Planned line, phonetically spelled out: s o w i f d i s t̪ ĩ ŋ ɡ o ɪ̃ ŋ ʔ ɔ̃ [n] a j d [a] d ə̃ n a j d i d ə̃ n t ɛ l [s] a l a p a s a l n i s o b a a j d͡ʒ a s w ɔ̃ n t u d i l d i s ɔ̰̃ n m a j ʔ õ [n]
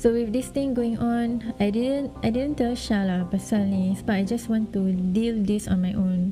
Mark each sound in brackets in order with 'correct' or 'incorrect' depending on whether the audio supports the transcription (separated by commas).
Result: correct, incorrect, incorrect, correct